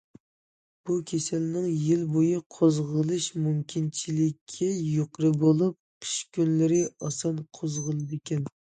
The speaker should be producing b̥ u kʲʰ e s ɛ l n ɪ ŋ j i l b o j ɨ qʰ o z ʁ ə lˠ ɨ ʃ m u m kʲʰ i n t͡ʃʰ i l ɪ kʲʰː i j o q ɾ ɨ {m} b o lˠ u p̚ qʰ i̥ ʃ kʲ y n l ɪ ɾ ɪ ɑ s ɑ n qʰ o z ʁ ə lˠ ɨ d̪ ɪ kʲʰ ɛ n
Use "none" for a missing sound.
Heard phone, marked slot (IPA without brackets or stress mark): none